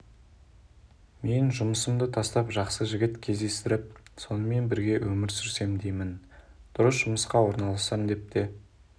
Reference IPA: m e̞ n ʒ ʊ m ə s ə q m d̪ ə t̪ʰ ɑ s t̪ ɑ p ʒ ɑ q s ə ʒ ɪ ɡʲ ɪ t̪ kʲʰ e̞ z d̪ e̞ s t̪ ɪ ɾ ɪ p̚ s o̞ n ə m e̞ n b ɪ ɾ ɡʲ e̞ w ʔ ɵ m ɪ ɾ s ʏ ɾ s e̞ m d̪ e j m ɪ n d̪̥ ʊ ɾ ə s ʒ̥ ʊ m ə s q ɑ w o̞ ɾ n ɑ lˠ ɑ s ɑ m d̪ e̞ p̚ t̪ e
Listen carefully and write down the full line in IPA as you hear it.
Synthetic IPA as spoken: m e̞ n ʒ ʊ m ə s ə m d̪ ə t̪ʰ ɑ s t̪ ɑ p ʒ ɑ q s ə ʒ ɪ ɡʲ ɪ t̪ kʲʰ e̞ z d̪ e̞ s t̪ ɪ ɾ ɪ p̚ s o̞ n ə m e̞ n b ɪ ɾ ɡʲ e̞ w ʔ ɵ m ɪ ɾ s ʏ ɾ s e̞ m d̪ e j m ɪ n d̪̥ ʊ ɾ ə s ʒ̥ ʊ m ə s q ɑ w o̞ ɾ n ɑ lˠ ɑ s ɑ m d̪ e̞ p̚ t̪ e